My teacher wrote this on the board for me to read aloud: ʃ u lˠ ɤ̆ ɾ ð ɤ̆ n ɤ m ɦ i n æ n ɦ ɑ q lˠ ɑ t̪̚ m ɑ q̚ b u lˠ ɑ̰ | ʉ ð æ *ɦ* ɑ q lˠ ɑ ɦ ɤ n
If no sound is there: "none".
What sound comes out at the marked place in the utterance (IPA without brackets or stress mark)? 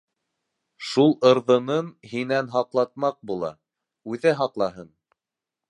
ɦ